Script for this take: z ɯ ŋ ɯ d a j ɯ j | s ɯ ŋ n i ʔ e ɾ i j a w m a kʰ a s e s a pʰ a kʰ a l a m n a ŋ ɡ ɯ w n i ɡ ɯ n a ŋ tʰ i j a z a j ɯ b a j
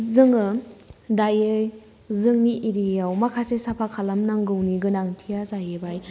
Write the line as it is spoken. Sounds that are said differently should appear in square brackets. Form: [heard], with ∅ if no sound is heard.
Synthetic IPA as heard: z ɯ ŋ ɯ d a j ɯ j | [z] ɯ ŋ n i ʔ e ɾ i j a w m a kʰ a s e s a pʰ a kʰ a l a m n a ŋ ɡ ɯ w n i ɡ ɯ n a ŋ tʰ i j a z a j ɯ b a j